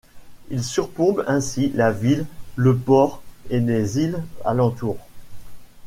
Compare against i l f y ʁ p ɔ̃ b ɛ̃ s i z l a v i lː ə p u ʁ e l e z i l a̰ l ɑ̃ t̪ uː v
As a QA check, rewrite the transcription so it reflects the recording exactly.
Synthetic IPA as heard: i l s y ʁ p ɔ̃ b ɛ̃ s i l a v i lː ə p ɔ ʁ e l e z i l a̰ l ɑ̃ t̪ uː ʁ